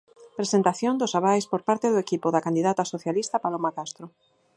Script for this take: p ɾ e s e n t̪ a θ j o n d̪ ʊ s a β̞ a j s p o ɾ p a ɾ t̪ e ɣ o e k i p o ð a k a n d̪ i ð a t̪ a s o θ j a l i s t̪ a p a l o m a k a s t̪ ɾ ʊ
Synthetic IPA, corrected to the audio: p ɾ e s e n t̪ a θ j o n d̪ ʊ s a β̞ a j s p o ɾ p a ɾ t̪ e ð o e k i p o ð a k a n d̪ i ð a t̪ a s o θ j a l i s t̪ a p a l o m a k a s t̪ ɾ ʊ